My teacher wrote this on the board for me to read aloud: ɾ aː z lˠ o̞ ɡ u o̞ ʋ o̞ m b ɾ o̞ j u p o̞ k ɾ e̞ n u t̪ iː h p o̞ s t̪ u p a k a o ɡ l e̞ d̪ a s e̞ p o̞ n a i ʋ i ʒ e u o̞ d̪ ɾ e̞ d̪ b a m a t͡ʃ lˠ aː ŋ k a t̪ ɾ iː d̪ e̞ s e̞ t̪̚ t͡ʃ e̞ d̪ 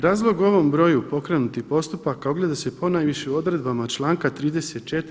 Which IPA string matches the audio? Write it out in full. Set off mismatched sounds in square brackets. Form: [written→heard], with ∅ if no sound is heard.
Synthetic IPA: ɾ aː z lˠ o̞ ɡ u o̞ ʋ o̞ m b ɾ o̞ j u p o̞ k ɾ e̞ n u t̪ [iː→i] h p o̞ s t̪ u p a k a o ɡ l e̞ d̪ a s e̞ p o̞ n a [i→j] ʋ i [ʒ→ʃ] e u o̞ d̪ ɾ e̞ d̪ b a m a t͡ʃ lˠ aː ŋ k a t̪ ɾ iː d̪ e̞ s e̞ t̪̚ t͡ʃ e̞ [d̪→t̪]